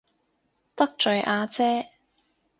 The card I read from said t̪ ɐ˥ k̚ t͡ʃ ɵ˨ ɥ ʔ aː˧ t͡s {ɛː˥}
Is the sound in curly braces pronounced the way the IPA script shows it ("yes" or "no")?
yes